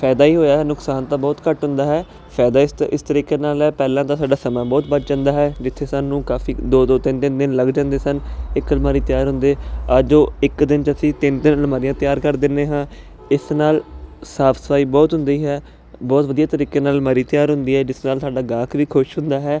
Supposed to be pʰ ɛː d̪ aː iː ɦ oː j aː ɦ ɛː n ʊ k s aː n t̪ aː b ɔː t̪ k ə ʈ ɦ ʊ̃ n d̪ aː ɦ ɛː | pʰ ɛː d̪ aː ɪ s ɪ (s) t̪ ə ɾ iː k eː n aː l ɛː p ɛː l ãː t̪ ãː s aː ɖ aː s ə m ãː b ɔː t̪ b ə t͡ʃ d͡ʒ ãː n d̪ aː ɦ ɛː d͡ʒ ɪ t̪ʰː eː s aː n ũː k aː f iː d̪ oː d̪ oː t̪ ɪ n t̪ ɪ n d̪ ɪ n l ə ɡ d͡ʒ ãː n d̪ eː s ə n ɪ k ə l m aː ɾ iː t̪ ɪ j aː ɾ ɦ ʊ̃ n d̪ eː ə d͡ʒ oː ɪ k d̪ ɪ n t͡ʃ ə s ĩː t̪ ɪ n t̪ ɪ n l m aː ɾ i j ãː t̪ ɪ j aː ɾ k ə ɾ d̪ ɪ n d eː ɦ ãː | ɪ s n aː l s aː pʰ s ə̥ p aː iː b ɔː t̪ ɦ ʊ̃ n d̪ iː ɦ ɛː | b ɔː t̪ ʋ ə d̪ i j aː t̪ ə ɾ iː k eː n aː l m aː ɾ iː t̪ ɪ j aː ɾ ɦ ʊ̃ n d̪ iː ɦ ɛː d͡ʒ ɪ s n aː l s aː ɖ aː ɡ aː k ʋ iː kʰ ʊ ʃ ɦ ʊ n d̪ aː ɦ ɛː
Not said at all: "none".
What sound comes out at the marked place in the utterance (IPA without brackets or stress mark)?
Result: s